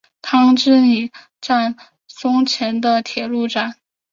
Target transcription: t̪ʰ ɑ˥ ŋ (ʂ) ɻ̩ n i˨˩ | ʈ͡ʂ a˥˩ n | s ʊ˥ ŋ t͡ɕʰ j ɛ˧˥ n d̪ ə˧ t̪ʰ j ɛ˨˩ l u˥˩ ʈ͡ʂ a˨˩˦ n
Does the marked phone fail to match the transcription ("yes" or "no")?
yes